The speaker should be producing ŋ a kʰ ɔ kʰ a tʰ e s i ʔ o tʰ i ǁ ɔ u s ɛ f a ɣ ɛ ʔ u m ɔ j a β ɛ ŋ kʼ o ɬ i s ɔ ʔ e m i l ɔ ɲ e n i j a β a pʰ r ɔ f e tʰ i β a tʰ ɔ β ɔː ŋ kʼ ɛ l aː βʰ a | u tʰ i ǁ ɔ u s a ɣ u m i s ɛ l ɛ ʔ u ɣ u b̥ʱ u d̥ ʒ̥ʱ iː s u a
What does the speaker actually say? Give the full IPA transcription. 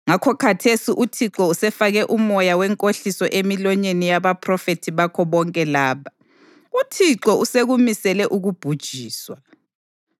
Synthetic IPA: ŋ a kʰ ɔ kʰ a tʰ e s i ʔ u tʰ i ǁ ɔ u s ɛ f a ɣ ɛ ʔ u m ɔ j a w ɛ ŋ kʼ o ɬ i s ɔ ʔ e m i l ɔ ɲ e n i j a β a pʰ r ɔ f e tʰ i β a kʰ ɔ β ɔ ŋ kʼ ɛ l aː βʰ a | u tʰ i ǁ ɔ u s e ɣ u m i s ɛ l ɛ ʔ u ɣ u b̥ʱ u d̥ ʒ̥ʱ iː s w a